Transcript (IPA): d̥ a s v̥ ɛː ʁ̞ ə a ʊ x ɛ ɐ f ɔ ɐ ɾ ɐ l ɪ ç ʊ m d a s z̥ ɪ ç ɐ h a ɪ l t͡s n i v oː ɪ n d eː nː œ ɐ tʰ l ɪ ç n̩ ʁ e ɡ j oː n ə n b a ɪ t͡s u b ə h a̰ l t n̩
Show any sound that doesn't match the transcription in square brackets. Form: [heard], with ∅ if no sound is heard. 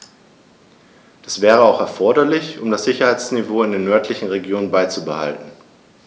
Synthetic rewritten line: d̥ a s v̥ ɛː ʁ̞ ə a ʊ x ɛ ɐ f ɔ ɐ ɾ ɐ l ɪ ç ʊ m d a s z̥ ɪ ç ɐ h a ɪ [∅] t͡s n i v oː ɪ n d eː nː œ ɐ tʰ l ɪ ç n̩ ʁ e ɡ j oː n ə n b a ɪ t͡s u b ə h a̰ l t n̩